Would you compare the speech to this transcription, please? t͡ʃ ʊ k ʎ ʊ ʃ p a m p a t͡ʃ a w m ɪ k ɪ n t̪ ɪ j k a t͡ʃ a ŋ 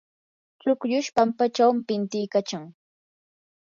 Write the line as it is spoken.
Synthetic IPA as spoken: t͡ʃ ʊ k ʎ ʊ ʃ p a m p a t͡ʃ a w m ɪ p ɪ n t̪ ɪ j k a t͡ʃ a ŋ